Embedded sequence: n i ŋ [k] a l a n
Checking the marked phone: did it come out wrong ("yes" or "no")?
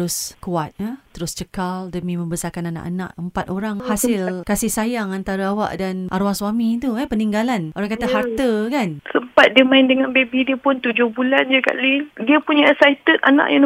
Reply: yes